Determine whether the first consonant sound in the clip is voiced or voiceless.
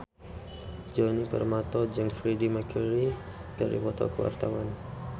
voiced